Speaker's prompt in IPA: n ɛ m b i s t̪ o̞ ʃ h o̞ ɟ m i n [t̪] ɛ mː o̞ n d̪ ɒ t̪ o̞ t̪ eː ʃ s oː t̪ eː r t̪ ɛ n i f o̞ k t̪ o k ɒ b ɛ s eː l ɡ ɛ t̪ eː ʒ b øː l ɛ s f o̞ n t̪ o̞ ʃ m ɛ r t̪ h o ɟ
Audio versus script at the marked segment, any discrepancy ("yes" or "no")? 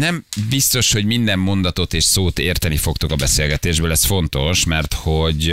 yes